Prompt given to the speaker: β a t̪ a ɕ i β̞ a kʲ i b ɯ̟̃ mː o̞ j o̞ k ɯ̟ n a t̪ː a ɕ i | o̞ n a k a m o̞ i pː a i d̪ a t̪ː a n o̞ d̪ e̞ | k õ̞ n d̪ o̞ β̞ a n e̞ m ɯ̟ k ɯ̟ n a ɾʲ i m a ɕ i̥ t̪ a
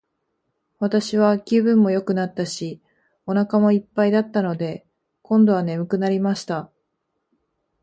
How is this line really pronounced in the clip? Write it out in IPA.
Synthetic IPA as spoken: β a t̪ a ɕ i β̞ a kʲ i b ɯ̟̃ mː o̞ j o̞ k ɯ̟ n a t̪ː a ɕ i | o̞ n a k a m o̞ i pː a i d̪ a t̪ː a n o̞ d̪ e̞ | k õ̞ n d̪ o̞ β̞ a n e̞ m ɯ̟ k ɯ̟ n a ɾʲ i m a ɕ i̥ t̪ a

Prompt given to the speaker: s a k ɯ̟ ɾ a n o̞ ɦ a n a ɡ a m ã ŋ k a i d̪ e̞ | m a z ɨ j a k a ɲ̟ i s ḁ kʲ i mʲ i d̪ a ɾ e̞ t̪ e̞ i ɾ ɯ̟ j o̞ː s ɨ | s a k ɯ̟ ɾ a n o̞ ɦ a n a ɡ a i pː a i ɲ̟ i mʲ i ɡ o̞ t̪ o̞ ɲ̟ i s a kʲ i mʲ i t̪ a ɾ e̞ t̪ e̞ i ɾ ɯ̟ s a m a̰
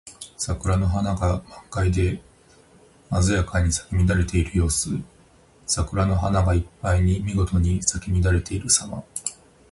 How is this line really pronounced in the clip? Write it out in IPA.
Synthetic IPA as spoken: s a k ɯ̟ ɾ a n o̞ ɦ a n a ɡ a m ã ŋ k a i d̪ e̞ | m a z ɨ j a k a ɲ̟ i s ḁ kʲ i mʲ i d̪ a ɾ e̞ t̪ e̞ i ɾ ɯ̟ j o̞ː s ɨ | s a k ɯ̟ ɾ a n o̞ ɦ a n a ɡ a i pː a i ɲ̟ i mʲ i ɡ o̞ t̪ o̞ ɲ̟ i s a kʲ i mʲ i d̪ a ɾ e̞ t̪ e̞ i ɾ ɯ̟ s a m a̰

